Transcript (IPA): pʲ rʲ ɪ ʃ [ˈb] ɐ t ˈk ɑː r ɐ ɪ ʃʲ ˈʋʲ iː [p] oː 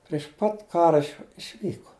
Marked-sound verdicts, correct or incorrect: incorrect: p, incorrect: k

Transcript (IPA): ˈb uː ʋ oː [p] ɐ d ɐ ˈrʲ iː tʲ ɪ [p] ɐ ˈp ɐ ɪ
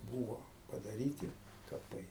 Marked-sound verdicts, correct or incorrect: correct, incorrect: k

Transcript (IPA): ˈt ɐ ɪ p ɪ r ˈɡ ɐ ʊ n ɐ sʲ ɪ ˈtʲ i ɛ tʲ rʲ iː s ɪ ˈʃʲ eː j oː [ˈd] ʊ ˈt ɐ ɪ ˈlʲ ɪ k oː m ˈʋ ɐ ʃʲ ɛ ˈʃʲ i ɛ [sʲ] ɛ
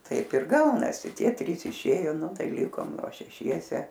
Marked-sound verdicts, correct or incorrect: incorrect: n, correct

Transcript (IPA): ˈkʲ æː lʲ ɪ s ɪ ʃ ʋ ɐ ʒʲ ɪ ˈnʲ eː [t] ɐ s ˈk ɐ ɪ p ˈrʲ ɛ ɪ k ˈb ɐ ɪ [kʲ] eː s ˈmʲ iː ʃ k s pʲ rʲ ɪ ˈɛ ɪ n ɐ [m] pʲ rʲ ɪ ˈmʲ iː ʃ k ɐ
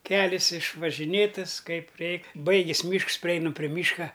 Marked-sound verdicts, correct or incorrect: correct, incorrect: ɡʲ, correct

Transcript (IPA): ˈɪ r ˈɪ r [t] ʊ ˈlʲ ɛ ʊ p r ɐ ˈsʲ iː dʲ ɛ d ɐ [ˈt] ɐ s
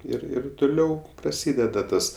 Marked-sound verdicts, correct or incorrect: correct, correct

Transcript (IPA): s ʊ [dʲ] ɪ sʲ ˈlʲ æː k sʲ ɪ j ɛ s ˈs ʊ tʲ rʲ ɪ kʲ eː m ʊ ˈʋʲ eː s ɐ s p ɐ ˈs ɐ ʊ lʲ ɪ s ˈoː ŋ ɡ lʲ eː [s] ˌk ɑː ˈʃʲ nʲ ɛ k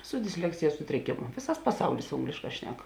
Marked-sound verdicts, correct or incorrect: correct, incorrect: ʃ

